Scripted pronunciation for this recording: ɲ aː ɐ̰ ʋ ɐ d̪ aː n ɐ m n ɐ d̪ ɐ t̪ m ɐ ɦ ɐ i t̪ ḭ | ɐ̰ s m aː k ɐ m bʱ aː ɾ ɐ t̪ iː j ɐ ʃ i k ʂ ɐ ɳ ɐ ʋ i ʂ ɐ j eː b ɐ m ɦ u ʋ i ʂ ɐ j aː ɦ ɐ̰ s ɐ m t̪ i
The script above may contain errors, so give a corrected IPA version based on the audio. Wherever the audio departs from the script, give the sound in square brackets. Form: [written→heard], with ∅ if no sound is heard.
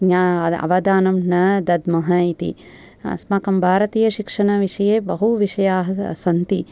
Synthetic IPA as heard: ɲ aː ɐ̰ ʋ ɐ d̪ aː n ɐ m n ɐ d̪ ɐ [t̪→d̪] m ɐ ɦ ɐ i t̪ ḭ | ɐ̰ s m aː k ɐ m bʱ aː ɾ ɐ t̪ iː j ɐ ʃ i k ʂ ɐ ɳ ɐ ʋ i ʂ ɐ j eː b ɐ [m→∅] ɦ u ʋ i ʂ ɐ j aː ɦ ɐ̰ s ɐ [m→n] t̪ i

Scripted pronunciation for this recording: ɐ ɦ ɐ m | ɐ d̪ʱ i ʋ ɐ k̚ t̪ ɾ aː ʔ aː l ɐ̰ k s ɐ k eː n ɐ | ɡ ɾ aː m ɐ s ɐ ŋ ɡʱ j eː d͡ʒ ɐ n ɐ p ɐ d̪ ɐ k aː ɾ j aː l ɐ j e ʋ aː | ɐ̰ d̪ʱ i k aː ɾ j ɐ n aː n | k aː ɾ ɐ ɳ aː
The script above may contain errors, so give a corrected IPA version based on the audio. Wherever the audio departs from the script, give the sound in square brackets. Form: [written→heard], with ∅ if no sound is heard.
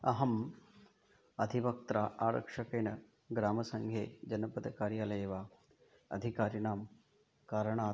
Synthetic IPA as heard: ɐ ɦ ɐ m | ɐ d̪ʱ i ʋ ɐ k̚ t̪ ɾ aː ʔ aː [l→ɾ] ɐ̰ k [s→ʂ] ɐ k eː n ɐ | ɡ ɾ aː m ɐ s ɐ ŋ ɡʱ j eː d͡ʒ ɐ n ɐ p ɐ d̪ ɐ k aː ɾ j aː l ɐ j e ʋ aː | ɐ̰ d̪ʱ i k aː ɾ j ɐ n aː [n→m] | k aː ɾ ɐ ɳ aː

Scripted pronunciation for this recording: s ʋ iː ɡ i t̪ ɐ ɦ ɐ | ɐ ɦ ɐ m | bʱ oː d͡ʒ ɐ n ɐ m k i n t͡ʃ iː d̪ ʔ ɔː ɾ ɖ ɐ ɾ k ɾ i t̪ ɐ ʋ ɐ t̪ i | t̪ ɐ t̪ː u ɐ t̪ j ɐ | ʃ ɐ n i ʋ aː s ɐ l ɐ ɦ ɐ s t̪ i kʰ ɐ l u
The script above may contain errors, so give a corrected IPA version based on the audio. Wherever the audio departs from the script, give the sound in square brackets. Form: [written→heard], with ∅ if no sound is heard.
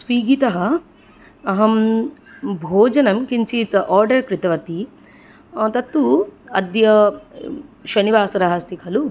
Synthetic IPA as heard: s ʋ iː ɡ i t̪ ɐ ɦ ɐ | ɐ ɦ ɐ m | bʱ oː d͡ʒ ɐ n ɐ m k i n t͡ʃ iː [d̪→t̪] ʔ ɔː ɾ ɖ ɐ ɾ k ɾ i t̪ ɐ ʋ ɐ t̪ i | t̪ ɐ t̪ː u ɐ [t̪→d̪] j ɐ | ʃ ɐ n i ʋ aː s ɐ [l→ɾ] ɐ ɦ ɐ s t̪ i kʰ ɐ l u

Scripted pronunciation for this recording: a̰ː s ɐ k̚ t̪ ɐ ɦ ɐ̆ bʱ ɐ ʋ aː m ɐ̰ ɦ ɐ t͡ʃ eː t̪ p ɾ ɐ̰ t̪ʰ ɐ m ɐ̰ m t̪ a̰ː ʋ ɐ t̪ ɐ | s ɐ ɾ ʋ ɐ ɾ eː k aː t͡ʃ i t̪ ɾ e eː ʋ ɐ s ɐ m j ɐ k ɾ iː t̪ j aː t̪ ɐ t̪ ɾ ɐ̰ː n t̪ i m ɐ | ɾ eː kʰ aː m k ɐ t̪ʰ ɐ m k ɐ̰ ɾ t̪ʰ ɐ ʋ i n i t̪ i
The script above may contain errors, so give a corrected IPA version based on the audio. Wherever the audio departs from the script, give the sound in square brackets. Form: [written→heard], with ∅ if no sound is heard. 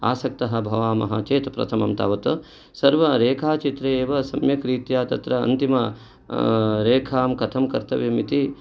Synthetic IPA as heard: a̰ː s ɐ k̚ t̪ ɐ ɦ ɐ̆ bʱ ɐ ʋ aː m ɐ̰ ɦ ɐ t͡ʃ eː t̪ p ɾ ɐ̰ t̪ʰ ɐ m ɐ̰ m t̪ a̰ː ʋ ɐ t̪ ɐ | s ɐ ɾ ʋ ɐ ɾ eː [k→kʰ] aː t͡ʃ i t̪ ɾ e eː ʋ ɐ s ɐ m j ɐ k ɾ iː t̪ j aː t̪ ɐ t̪ ɾ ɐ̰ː n t̪ i m ɐ | ɾ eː kʰ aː m k ɐ t̪ʰ ɐ m k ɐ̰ ɾ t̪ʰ ɐ ʋ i [n→m] i t̪ i

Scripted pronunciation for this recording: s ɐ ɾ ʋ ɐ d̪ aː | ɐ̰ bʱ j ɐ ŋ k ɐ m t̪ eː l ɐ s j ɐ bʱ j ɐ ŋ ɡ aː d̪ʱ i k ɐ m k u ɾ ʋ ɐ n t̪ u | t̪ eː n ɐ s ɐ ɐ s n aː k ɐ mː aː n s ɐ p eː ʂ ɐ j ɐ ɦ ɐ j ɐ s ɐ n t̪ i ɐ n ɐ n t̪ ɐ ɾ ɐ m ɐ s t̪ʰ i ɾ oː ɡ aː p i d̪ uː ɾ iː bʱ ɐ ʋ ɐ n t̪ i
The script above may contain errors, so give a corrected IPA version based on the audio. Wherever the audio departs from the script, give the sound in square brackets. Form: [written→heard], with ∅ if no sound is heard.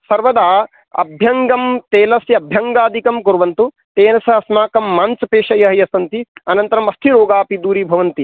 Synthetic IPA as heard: s ɐ ɾ ʋ ɐ d̪ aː | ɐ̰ bʱ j ɐ ŋ [k→ɡ] ɐ m t̪ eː l ɐ s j ɐ bʱ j ɐ ŋ ɡ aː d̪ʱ i k ɐ m k u ɾ ʋ ɐ n t̪ u | t̪ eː n ɐ s ɐ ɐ s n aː k ɐ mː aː n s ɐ p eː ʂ ɐ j ɐ ɦ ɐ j ɐ s ɐ n t̪ i ɐ n ɐ n t̪ ɐ ɾ ɐ m ɐ s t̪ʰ i ɾ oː ɡ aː p i d̪ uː ɾ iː bʱ ɐ ʋ ɐ n t̪ i

